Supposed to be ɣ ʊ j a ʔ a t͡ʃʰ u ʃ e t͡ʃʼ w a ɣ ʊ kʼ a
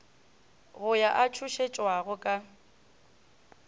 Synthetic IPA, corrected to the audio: ɣ ʊ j a ʔ a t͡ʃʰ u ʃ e t͡ʃʼ w a ɣ ʊ kʼ a